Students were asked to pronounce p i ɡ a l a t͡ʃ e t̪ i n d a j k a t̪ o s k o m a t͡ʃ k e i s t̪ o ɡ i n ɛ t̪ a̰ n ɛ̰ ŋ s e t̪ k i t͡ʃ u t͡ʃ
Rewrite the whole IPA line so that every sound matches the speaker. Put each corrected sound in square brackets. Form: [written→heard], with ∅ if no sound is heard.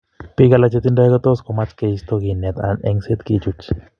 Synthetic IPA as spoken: p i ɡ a l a t͡ʃ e t̪ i n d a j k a t̪ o s k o m a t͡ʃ k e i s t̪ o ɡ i n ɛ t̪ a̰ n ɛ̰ ŋ s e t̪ k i t͡ʃ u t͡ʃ